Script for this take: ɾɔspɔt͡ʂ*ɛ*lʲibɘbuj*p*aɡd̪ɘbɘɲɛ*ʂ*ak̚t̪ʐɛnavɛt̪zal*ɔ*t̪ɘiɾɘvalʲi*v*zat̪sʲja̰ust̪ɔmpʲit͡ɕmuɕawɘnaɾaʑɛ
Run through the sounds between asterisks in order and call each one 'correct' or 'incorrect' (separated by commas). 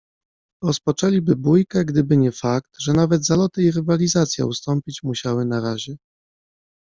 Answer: correct, incorrect, incorrect, correct, incorrect